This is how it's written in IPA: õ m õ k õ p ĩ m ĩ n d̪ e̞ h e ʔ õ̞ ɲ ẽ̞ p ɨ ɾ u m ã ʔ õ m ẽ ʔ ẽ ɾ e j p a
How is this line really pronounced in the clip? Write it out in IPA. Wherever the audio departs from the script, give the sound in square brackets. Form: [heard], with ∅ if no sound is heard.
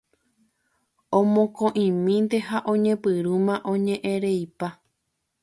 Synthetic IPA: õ m õ k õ [ʔ] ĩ m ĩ n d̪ e̞ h [a] ʔ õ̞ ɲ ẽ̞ p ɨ ɾ u m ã ʔ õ [ɲ] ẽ ʔ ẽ ɾ e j p a